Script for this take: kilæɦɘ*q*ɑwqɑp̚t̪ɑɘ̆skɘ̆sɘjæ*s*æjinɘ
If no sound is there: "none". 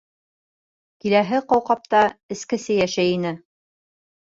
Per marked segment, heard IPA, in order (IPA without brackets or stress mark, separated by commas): q, ʃ